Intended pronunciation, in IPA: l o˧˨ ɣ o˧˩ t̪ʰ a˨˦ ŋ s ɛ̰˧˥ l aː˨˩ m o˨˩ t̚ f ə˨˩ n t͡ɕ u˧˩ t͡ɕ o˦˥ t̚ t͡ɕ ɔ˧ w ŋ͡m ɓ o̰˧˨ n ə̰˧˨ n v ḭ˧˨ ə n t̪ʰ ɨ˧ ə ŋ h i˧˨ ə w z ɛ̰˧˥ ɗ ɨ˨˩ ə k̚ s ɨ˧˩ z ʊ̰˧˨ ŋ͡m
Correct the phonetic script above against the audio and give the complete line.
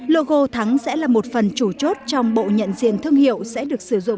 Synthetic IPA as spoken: l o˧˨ ɣ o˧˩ t̪ʰ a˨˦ ŋ s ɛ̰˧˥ l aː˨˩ m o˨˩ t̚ f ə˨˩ n t͡ɕ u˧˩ t͡ɕ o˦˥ t̚ t͡ɕ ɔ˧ w ŋ͡m ɓ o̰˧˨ ɲ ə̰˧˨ n z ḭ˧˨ ə n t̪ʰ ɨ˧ ə ŋ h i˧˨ ə w s ɛ̰˧˥ ɗ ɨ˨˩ ə k̚ s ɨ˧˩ z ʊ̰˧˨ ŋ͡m

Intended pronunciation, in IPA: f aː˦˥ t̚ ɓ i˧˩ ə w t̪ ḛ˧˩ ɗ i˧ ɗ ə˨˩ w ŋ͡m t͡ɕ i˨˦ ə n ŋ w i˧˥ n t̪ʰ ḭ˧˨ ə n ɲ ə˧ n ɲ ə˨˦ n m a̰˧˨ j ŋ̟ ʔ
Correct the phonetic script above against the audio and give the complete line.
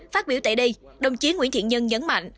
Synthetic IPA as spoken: f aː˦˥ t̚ ɓ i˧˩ ə w t̪ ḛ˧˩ ɗ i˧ ɗ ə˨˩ w ŋ͡m t͡ɕ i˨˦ ə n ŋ w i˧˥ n t̪ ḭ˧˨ ə n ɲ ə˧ n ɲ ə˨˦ n m a̰˧˨ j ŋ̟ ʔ

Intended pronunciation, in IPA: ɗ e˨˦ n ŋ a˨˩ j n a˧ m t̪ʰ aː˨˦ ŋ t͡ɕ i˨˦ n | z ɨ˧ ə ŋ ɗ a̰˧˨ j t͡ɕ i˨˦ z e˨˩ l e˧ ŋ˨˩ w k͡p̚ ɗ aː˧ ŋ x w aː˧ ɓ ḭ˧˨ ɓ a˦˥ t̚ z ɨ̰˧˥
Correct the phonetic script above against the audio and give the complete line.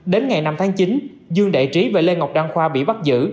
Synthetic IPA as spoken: ɗ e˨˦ n ŋ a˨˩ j n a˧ m t̪ʰ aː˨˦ ŋ t͡ɕ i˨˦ n | z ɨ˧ ə ŋ ɗ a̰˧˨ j t͡ɕ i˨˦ v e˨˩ l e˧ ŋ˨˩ w k͡p̚ ɗ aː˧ ŋ x w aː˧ ɓ ḭ˧˨ ɓ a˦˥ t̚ z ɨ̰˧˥

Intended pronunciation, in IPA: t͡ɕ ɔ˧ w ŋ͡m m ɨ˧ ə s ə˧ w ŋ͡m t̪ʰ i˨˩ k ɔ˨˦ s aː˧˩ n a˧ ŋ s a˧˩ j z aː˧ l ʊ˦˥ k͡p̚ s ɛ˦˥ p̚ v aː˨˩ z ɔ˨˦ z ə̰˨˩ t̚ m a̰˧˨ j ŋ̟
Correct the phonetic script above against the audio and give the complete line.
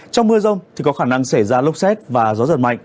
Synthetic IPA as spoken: t͡ɕ ɔ˧ w ŋ͡m m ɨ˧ ə z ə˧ w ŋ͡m t̪ʰ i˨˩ k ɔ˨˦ x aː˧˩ n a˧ ŋ s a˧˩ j z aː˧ l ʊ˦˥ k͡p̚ s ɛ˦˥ t̚ v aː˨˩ z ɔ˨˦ z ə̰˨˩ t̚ m a̰˧˨ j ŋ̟

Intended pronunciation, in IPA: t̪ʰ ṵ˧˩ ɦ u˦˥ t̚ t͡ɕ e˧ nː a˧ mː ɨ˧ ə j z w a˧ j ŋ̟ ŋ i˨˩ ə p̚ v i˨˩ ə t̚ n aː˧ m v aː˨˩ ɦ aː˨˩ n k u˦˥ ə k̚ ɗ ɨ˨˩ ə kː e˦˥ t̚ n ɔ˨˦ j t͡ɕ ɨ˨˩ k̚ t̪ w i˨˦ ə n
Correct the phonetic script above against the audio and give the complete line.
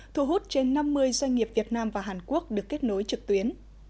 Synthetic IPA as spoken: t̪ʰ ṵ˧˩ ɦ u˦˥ t̚ t͡ɕ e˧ nː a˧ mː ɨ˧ ə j z w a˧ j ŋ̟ ŋ i˨˩ ə p̚ v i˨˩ ə t̚ n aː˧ m v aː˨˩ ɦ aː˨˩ n k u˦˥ ə k̚ ɗ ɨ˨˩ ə kː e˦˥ t̚ n o˨˦ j t͡ɕ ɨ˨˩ k̚ t̪ w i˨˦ ə n

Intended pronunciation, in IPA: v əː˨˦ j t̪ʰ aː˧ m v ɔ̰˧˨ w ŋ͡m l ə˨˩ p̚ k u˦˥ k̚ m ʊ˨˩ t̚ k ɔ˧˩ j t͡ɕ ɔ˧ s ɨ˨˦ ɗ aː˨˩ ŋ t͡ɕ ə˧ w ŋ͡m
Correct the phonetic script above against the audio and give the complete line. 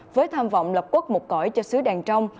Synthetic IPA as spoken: v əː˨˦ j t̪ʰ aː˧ m v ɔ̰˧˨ w ŋ͡m l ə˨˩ p̚ k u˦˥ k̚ m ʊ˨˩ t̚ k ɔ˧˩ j t͡ɕ ɔ˧ s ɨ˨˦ ɗ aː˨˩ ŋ t͡ɕ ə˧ w ŋ͡m

